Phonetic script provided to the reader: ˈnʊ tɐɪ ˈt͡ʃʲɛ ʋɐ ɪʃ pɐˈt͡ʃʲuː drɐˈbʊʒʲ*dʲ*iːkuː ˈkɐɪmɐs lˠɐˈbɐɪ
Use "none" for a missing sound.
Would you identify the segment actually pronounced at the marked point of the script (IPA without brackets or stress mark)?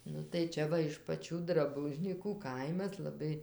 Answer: nʲ